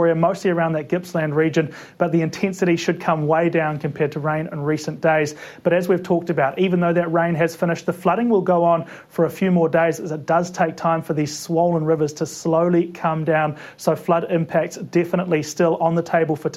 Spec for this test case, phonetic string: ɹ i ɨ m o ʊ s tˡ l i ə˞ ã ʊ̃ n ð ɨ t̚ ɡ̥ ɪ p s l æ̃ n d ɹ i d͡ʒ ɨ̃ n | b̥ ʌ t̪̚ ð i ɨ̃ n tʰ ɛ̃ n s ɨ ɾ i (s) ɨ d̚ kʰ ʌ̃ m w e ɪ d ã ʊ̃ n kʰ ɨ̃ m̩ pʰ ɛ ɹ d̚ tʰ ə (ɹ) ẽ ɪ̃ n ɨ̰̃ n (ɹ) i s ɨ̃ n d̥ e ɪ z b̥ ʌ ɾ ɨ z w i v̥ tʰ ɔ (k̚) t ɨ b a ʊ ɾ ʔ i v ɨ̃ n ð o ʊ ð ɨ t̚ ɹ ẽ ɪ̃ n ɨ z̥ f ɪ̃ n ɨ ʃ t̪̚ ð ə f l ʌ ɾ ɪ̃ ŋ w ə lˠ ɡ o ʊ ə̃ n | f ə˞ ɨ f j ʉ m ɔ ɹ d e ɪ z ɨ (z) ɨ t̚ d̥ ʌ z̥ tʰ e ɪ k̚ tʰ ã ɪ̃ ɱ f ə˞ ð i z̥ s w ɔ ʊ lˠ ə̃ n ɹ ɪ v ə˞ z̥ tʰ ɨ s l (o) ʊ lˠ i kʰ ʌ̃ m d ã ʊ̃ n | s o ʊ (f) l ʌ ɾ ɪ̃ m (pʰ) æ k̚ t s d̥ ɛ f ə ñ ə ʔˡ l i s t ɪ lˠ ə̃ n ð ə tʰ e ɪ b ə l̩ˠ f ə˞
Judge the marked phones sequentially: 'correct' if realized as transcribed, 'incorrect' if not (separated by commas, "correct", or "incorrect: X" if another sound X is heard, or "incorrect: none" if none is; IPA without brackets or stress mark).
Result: incorrect: ʃ, correct, correct, correct, correct, correct, correct, correct